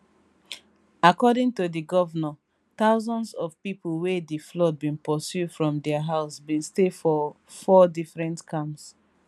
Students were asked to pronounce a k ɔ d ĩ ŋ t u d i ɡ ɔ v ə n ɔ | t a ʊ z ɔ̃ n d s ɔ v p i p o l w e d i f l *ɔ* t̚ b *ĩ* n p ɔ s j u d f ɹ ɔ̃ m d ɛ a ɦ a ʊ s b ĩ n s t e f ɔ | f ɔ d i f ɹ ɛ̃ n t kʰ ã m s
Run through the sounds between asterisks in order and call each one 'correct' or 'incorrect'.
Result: correct, correct

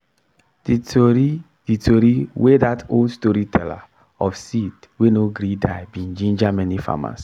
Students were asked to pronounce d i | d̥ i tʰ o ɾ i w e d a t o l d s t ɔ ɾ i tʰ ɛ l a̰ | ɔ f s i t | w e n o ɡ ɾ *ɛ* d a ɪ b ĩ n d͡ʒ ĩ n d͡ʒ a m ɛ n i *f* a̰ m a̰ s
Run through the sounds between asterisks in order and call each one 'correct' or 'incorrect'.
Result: incorrect: i, correct

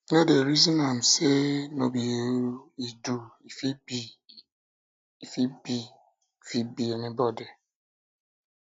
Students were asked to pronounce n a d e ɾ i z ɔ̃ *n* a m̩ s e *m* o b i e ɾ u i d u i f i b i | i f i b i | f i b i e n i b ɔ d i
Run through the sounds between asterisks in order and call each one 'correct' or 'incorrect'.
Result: correct, incorrect: n

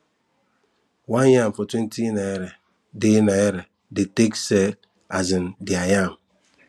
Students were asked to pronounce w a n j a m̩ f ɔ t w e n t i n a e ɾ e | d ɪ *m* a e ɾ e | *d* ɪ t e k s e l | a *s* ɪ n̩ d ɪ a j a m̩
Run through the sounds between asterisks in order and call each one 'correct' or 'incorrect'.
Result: incorrect: n, correct, incorrect: z

